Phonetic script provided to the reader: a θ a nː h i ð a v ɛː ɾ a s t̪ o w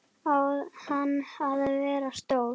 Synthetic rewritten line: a h a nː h a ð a v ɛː ɾ a s t̪ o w